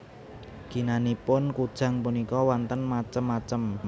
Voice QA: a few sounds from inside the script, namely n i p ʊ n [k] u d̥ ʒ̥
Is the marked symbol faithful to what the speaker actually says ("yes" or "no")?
yes